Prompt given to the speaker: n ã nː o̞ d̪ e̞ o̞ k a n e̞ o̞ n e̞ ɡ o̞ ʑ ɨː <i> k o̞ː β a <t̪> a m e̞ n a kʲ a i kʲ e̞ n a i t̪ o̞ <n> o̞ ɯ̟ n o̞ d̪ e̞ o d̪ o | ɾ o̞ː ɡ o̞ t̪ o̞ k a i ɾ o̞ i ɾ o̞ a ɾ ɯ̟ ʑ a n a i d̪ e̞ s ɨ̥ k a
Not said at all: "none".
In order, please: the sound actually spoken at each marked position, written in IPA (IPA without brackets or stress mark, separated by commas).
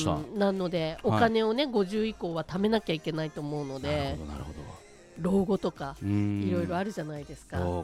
i, t̪, m